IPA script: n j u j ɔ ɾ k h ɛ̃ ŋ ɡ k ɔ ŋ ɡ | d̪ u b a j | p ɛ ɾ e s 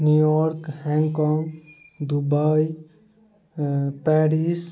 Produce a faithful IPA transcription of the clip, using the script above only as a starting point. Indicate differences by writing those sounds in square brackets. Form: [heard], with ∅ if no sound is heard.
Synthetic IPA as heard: n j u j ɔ ɾ k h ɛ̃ ŋ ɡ k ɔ ŋ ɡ | d̪ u b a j | p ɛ ɾ [i] s